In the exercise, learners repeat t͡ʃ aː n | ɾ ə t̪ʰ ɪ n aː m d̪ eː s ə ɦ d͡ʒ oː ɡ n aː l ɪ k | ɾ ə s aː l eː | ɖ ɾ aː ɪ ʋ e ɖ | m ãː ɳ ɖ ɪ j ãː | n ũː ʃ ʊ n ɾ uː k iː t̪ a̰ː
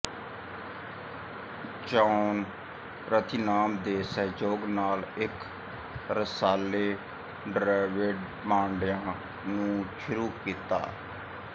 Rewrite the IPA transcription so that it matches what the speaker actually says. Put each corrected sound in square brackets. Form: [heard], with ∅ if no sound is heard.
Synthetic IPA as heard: t͡ʃ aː n | ɾ ə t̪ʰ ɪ n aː m d̪ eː s ə ɦ d͡ʒ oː ɡ n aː l ɪ k | ɾ ə s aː l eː | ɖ ɾ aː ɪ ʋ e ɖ | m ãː ɳ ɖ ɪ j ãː | n ũː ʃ ʊ [∅] ɾ uː k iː t̪ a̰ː